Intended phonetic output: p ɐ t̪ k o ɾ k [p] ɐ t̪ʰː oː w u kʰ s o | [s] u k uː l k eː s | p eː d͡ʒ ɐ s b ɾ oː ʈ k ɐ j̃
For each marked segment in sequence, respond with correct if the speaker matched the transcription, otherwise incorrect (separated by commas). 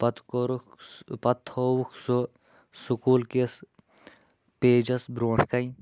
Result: correct, correct